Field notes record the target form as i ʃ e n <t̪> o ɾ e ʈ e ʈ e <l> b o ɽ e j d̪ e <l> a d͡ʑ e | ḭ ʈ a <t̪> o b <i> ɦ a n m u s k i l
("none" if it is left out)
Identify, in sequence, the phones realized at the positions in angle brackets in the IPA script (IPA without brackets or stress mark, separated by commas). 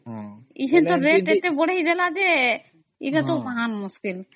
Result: t̪, none, l, t̪, a